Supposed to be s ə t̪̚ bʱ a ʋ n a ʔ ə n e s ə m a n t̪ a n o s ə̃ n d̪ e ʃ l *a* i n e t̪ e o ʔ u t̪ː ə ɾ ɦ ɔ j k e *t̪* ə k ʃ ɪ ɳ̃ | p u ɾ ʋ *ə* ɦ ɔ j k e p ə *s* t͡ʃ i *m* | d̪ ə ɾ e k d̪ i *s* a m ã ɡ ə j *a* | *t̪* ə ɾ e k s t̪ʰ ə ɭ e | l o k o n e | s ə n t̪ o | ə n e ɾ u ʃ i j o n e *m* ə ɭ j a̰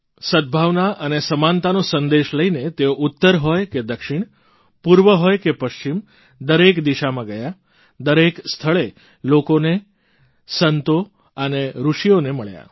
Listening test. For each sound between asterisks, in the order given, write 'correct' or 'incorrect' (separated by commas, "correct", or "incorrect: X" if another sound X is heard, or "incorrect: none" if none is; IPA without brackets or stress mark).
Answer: incorrect: ə, incorrect: d̪, correct, incorrect: ʃ, correct, incorrect: ʃ, correct, incorrect: d̪, correct